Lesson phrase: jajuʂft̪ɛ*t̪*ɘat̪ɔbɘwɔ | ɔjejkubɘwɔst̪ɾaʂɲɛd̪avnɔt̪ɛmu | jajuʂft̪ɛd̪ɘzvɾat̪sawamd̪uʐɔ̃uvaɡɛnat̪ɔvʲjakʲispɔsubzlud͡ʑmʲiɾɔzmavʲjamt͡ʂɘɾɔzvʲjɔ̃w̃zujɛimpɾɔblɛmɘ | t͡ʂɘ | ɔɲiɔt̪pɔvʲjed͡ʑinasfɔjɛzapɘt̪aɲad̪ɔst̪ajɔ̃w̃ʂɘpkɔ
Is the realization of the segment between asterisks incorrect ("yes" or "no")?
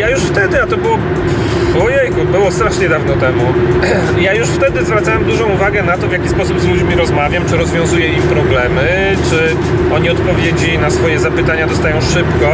yes